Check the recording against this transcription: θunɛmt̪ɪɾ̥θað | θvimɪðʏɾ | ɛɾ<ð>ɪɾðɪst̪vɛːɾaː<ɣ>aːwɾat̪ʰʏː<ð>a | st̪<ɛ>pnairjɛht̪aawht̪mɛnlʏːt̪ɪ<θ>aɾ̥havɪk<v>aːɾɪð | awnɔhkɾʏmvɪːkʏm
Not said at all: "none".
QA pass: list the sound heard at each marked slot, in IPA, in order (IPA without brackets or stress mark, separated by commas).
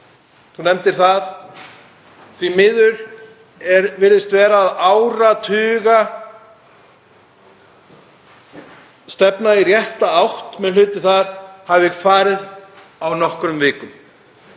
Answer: v, ð, ɣ, ɛ, θ, f